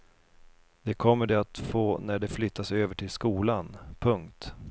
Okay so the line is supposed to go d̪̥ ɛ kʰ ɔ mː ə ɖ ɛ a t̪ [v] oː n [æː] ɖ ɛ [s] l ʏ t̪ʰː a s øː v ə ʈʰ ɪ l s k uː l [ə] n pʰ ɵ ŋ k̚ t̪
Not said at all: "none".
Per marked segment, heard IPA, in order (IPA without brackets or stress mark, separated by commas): f, æ, f, a